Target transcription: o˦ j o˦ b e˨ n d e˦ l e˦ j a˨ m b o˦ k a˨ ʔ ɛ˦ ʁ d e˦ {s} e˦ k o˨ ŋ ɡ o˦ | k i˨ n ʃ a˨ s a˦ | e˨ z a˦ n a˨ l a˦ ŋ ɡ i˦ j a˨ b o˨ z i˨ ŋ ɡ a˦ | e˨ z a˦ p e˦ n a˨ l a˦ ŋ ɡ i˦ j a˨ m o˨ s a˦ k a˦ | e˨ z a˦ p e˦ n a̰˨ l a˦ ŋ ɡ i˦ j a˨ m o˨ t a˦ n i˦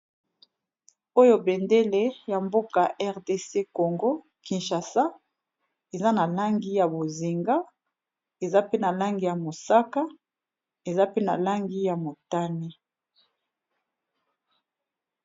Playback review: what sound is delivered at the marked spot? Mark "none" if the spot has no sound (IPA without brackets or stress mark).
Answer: s